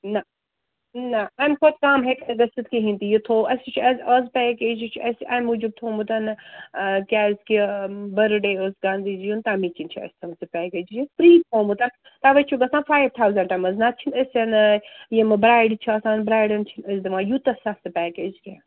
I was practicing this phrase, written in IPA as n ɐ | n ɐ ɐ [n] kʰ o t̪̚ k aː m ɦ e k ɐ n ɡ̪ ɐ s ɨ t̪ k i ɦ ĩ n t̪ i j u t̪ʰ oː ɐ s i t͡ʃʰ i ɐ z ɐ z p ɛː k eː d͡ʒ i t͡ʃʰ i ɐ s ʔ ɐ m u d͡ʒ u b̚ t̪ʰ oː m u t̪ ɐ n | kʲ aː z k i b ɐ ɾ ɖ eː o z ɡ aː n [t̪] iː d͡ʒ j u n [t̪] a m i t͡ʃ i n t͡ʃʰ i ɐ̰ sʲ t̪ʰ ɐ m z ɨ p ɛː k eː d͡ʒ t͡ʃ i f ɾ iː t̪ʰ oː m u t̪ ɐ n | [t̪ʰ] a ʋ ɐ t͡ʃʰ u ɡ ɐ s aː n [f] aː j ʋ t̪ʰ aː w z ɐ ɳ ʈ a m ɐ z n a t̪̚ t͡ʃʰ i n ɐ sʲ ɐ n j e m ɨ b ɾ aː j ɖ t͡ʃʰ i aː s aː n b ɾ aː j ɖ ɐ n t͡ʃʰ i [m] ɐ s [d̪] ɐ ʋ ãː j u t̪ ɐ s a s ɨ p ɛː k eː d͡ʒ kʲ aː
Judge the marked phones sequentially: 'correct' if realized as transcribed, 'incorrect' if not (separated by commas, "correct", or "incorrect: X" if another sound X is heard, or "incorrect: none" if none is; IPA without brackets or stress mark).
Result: incorrect: m, incorrect: d̪, correct, incorrect: t̪, correct, incorrect: n, correct